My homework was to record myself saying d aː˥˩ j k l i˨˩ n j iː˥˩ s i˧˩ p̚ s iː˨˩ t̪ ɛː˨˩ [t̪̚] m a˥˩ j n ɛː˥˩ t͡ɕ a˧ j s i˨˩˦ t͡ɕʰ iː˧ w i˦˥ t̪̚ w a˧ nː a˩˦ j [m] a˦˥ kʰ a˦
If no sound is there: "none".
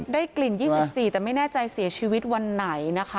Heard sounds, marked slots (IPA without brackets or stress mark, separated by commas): none, n